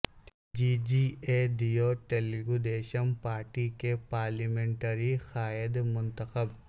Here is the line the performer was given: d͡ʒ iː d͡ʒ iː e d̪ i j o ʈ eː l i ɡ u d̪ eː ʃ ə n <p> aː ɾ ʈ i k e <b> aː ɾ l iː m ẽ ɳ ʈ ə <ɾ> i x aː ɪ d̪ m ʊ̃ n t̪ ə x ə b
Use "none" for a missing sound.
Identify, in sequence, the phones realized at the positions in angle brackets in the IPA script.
p, p, ɾ

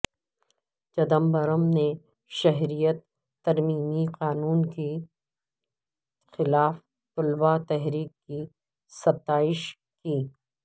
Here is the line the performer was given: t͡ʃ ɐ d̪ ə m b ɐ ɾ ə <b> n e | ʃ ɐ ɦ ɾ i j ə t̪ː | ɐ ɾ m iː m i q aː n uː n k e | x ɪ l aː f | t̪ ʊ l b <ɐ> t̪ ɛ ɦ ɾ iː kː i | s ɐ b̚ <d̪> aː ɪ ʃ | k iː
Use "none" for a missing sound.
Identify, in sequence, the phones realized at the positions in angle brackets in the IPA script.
m, a, t̪

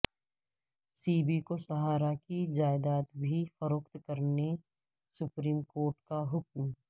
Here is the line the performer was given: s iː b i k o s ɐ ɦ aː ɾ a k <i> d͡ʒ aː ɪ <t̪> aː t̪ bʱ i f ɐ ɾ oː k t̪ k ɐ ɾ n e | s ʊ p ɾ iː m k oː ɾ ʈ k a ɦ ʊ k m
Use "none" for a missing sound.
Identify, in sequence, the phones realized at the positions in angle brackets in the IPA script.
i, d̪

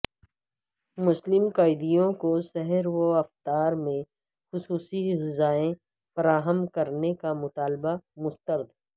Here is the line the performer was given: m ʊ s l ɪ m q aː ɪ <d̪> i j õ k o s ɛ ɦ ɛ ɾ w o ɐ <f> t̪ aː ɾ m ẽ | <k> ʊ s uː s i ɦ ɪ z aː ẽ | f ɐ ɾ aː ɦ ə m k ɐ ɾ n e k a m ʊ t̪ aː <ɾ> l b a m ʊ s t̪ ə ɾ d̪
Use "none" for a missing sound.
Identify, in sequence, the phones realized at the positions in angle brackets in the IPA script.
d̪, f, x, none

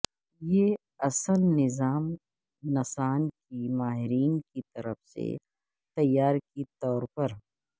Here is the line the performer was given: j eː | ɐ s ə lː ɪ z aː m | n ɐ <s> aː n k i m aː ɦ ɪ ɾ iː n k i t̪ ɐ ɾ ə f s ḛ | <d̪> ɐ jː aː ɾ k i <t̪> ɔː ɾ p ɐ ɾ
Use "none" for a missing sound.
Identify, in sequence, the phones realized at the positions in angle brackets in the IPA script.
s, t̪, t̪

